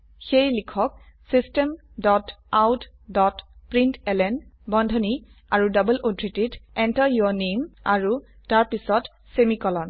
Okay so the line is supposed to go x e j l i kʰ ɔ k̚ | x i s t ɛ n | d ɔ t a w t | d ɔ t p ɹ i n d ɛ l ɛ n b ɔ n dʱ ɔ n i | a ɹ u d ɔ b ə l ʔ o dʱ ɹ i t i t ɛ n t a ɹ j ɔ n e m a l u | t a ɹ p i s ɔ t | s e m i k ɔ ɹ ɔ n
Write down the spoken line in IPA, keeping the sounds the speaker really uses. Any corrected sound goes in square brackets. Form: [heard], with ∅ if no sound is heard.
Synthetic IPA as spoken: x e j l i kʰ ɔ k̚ | [s] i s t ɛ [m] | d ɔ t a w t | d ɔ t p ɹ i n [t] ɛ l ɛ n b ɔ n dʱ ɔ n i | a ɹ u d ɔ b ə l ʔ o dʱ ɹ i t i t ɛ n t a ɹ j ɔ n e m a [ɹ] u | t a ɹ p i s ɔ t | s e m i k ɔ [l] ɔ n